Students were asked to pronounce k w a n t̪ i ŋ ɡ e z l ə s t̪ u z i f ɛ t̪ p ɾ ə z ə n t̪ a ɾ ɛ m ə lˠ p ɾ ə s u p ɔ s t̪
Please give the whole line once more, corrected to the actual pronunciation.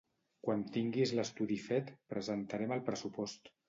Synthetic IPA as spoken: k w a n t̪ i ŋ ɡ i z l ə s t̪ u ð i f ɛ t̪ p ɾ ə z ə n t̪ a ɾ ɛ m ə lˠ p ɾ ə s u p ɔ s t̪